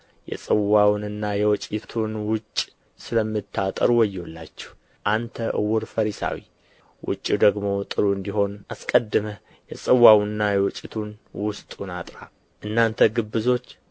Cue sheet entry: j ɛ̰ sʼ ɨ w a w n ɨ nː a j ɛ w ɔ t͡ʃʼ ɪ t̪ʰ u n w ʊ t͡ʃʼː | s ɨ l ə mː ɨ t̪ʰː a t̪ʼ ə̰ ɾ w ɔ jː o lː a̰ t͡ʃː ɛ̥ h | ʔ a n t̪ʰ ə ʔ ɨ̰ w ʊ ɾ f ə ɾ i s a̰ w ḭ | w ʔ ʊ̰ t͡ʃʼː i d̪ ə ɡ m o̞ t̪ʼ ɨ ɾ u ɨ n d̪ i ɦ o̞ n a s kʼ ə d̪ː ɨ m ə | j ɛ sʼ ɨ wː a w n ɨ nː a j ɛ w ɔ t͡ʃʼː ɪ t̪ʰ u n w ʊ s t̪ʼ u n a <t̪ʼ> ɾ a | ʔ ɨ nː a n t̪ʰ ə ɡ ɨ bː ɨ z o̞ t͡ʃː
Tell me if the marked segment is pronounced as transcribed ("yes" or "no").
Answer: yes